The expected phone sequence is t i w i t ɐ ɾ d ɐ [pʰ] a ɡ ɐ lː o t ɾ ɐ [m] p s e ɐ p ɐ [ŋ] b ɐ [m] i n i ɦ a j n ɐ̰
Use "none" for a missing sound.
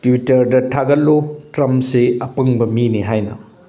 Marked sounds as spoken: tʰ, m, ŋ, m

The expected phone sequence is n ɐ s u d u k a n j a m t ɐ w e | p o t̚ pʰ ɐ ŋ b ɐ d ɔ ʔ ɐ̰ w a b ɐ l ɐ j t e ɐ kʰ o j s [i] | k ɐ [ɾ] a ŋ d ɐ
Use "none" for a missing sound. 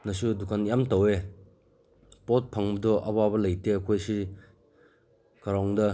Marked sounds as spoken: i, ɾ

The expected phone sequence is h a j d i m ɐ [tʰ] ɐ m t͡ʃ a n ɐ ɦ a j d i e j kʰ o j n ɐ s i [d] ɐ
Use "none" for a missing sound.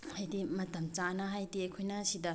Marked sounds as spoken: t, d

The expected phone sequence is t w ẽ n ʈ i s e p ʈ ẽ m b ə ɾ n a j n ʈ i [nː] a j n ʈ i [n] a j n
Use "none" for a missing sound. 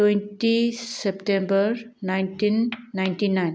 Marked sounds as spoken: nː, n

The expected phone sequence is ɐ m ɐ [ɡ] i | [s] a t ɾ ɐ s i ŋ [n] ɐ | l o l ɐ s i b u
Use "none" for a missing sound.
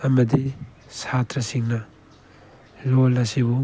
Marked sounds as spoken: d, s, n

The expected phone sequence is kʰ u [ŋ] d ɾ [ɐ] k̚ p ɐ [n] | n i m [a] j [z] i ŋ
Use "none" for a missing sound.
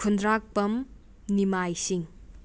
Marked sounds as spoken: n, a, m, a, s

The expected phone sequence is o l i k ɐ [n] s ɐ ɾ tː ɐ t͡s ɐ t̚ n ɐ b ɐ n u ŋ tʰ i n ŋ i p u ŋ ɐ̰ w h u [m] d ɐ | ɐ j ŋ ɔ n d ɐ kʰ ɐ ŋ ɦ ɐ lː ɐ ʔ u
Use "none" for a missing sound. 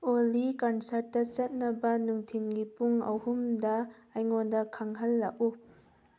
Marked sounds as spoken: n, m

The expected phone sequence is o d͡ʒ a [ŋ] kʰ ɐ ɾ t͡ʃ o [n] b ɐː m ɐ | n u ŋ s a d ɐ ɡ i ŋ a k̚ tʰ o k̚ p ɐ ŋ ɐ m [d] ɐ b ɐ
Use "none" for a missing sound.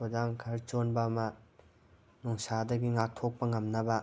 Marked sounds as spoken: ŋ, n, n

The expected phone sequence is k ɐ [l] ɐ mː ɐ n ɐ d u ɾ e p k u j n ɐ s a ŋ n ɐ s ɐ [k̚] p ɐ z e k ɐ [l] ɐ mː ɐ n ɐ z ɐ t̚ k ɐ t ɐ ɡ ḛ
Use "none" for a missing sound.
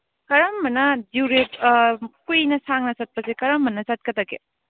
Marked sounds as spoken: ɾ, t̚, ɾ

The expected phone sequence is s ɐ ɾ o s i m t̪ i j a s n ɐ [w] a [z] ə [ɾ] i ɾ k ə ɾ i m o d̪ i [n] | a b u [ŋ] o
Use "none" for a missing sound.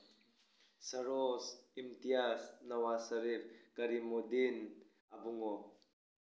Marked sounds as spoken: w, s, ɾ, n, ŋ

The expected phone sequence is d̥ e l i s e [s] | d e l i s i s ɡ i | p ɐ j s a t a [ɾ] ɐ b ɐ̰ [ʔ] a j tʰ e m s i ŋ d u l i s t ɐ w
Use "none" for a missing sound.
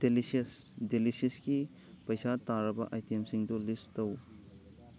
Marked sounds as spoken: s, ɾ, ʔ

